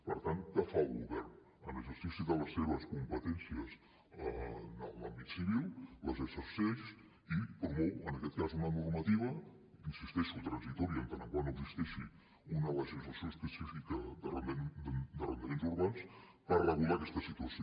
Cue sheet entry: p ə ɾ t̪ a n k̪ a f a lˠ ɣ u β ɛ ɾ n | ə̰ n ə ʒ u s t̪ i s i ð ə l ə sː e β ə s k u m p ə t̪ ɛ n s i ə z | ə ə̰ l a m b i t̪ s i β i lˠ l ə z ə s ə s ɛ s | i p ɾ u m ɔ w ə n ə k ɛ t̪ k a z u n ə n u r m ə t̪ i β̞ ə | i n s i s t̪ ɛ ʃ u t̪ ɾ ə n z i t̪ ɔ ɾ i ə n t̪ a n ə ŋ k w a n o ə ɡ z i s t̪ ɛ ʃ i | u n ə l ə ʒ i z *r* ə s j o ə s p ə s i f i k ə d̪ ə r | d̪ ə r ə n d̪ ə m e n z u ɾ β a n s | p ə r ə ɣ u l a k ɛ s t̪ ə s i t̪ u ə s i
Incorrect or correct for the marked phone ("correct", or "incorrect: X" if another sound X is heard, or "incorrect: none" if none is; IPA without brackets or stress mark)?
incorrect: l